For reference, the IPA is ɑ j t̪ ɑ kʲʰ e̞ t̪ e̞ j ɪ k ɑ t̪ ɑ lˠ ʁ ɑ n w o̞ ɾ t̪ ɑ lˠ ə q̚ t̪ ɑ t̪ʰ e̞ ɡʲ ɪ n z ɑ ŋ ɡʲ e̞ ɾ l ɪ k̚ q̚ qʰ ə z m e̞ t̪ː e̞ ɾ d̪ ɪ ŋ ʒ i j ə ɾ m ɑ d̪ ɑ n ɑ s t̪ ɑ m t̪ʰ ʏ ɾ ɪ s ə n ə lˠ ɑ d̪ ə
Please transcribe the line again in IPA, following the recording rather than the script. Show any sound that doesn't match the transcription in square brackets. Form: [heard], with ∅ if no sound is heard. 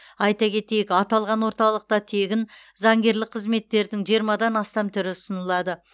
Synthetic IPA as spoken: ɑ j t̪ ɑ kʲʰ e̞ t̪ e̞ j ɪ k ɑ t̪ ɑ lˠ ʁ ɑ n w o̞ ɾ t̪ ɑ lˠ ə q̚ t̪ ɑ t̪ʰ e̞ ɡʲ ɪ n z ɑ ŋ ɡʲ e̞ ɾ l ɪ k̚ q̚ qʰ ə z m e̞ t̪ː e̞ ɾ d̪ ɪ ŋ ʒ i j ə ɾ m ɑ d̪ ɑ n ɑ s t̪ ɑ m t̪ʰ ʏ ɾ ɪ s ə n ə lˠ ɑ d̪ ə

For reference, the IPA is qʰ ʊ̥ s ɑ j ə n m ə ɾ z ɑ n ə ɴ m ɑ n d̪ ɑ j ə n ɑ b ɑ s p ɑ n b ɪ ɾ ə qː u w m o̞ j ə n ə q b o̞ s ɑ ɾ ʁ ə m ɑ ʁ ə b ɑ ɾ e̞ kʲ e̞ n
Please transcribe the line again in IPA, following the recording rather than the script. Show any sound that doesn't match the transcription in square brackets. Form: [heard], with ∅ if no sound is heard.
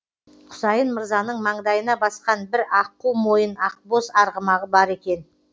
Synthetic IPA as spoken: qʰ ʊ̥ s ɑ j ə n m ə ɾ z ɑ n ə ɴ m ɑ [ɴ] d̪ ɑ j ə n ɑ b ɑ s [q] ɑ n b ɪ ɾ [ɑ] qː u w m o̞ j ə n [ɑ] q b o̞ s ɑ ɾ ʁ ə m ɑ ʁ ə b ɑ ɾ e̞ kʲ e̞ n

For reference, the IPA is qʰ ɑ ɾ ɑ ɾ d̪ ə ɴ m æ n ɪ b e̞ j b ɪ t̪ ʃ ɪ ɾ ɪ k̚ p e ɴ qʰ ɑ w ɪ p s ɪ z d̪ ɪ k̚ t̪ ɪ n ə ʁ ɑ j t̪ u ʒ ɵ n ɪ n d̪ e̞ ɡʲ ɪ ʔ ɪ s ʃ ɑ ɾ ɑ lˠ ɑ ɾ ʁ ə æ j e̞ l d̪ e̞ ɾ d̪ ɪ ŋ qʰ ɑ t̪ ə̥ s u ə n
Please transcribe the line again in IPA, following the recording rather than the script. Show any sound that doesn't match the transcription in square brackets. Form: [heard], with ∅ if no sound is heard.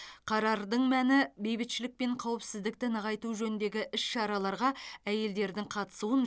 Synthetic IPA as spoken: qʰ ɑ ɾ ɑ ɾ d̪ ə ɴ m æ n ɪ b e̞ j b ɪ t̪ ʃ ɪ [l] ɪ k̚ p e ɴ qʰ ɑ w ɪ p s ɪ z d̪ ɪ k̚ t̪ ɪ n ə ʁ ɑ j t̪ u ʒ ɵ n ɪ n d̪ e̞ ɡʲ ɪ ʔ ɪ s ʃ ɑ ɾ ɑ lˠ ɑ ɾ ʁ [ɑ] æ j e̞ l d̪ e̞ ɾ d̪ ɪ ŋ qʰ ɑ t̪ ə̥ s u ə n

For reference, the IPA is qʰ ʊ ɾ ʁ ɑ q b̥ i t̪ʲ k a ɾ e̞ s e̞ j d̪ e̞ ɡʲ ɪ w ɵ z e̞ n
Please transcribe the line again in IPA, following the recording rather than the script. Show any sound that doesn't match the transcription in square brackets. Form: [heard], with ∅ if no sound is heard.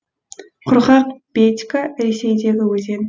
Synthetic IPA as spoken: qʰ ʊ ɾ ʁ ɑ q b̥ [e] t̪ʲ k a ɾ e̞ s e̞ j d̪ e̞ ɡʲ ɪ w ɵ z e̞ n

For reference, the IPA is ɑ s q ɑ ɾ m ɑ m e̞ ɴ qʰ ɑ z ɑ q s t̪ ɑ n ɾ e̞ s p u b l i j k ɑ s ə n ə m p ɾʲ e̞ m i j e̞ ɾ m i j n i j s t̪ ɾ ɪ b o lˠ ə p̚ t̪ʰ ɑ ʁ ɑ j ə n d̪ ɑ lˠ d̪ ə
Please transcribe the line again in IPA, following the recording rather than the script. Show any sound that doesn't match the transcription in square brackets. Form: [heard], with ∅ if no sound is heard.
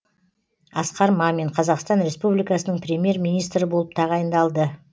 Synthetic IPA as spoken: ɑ s q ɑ ɾ m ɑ m e̞ ɴ qʰ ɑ z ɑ q s t̪ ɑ n ɾ e̞ s p u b l i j k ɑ s ə n ə [ɴ] p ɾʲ e̞ m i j e̞ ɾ m i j n i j s t̪ ɾ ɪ b o lˠ ə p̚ t̪ʰ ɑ ʁ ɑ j ə n d̪ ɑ lˠ d̪ ə

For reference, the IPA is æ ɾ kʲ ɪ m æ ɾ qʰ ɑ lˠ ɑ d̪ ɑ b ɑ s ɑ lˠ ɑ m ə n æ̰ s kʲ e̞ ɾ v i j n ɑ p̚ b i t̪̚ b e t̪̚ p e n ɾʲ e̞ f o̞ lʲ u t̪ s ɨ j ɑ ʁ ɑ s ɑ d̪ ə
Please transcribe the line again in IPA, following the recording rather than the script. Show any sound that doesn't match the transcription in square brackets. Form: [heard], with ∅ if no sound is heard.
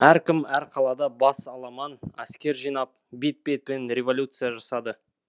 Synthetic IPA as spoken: æ ɾ kʲ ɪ m æ ɾ qʰ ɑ lˠ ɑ d̪ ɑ b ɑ s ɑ lˠ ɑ m [ɑ] n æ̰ s kʲ e̞ ɾ [ʒ] i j n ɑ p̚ b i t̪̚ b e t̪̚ p e n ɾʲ e̞ [v] o̞ lʲ u t̪ s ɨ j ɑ [ʒ] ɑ s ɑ d̪ ə

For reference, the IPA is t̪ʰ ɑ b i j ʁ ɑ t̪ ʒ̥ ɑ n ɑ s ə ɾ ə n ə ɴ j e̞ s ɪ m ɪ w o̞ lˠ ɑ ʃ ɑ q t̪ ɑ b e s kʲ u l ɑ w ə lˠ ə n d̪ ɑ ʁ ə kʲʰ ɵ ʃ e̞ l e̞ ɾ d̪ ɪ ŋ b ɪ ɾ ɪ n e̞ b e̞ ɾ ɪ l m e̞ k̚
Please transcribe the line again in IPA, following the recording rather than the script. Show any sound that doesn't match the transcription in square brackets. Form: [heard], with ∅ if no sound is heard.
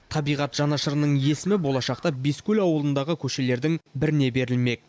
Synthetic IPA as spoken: t̪ʰ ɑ b i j ʁ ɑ t̪ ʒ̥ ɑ n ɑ [ʃ] ə ɾ ə n ə ɴ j e̞ s ɪ m ɪ [b] o̞ lˠ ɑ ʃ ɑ q t̪ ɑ b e s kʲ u l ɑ w ə lˠ ə n d̪ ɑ ʁ ə kʲʰ ɵ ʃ e̞ l e̞ ɾ d̪ ɪ ŋ b ɪ ɾ ɪ n e̞ b e̞ ɾ ɪ l m e̞ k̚

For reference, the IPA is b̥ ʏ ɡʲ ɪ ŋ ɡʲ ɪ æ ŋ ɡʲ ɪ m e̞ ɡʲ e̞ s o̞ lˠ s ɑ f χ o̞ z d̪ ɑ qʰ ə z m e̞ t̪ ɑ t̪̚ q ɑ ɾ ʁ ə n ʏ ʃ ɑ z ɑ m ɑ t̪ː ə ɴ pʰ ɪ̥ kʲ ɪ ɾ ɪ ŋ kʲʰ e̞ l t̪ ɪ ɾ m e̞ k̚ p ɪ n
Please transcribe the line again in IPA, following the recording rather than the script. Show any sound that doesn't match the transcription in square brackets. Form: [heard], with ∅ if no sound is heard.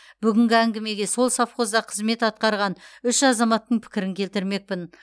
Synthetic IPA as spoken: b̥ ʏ ɡʲ ɪ ŋ ɡʲ ɪ æ ŋ ɡʲ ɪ m e̞ ɡʲ e̞ s o̞ lˠ s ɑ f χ o̞ z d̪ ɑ qʰ ə z m e̞ t̪ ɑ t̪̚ q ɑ ɾ ʁ [ɑ] n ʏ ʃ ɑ z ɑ m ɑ t̪ː ə ɴ pʰ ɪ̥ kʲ ɪ ɾ ɪ ŋ kʲʰ e̞ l t̪ ɪ ɾ m e̞ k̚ p ɪ n

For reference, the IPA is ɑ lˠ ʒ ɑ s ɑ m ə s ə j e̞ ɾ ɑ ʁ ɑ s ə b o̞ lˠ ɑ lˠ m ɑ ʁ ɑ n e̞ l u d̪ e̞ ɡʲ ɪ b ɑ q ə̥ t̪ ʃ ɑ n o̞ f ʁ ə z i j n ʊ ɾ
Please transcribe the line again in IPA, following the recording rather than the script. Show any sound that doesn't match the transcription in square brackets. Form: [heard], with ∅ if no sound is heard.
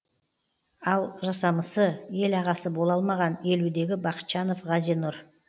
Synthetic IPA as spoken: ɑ lˠ ʒ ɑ s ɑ m ə s ə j e̞ [l] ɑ ʁ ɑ s ə b o̞ lˠ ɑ lˠ m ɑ ʁ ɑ n e̞ l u d̪ e̞ ɡʲ ɪ b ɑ q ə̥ t̪ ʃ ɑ n o̞ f ʁ [ɑ] z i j n ʊ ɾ

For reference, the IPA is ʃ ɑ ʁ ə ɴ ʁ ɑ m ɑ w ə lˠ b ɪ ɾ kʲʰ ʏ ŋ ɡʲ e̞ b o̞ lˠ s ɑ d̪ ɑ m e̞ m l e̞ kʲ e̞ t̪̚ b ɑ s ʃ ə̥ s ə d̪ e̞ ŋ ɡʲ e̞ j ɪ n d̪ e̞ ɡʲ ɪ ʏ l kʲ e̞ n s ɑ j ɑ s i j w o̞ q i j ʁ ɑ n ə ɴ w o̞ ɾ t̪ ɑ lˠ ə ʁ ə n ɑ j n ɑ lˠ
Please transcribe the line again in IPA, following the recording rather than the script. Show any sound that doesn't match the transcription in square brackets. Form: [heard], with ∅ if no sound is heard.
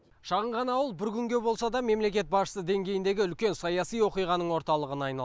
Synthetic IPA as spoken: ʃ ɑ ʁ ə ɴ ʁ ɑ [n] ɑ w ə lˠ b ɪ ɾ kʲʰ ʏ ŋ ɡʲ e̞ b o̞ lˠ s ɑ d̪ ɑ m e̞ m l e̞ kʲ e̞ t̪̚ b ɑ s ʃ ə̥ s ə d̪ e̞ ŋ ɡʲ e̞ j ɪ n d̪ e̞ ɡʲ ɪ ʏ l kʲ e̞ n s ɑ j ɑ s i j w o̞ q i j ʁ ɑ n ə ɴ w o̞ ɾ t̪ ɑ lˠ ə ʁ ə n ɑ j n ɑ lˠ

